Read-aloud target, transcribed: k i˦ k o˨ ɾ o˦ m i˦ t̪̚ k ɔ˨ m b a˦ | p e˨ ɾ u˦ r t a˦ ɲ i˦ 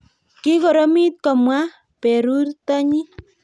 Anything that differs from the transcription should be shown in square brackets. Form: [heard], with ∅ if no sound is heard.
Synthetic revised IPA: k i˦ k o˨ ɾ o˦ m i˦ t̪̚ k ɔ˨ m [w] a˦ | p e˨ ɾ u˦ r t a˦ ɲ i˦